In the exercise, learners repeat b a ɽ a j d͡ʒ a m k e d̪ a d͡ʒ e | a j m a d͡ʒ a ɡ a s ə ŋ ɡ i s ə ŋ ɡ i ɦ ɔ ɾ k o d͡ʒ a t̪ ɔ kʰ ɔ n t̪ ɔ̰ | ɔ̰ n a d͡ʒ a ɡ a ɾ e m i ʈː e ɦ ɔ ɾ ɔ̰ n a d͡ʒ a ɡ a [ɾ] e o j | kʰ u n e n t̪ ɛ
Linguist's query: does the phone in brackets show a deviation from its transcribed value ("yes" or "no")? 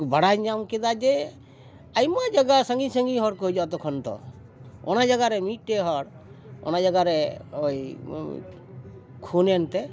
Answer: no